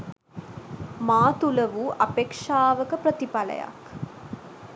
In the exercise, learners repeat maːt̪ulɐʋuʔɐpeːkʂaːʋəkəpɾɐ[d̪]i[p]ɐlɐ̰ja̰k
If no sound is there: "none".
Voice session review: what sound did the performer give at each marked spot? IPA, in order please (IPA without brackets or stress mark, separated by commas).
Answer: t̪, p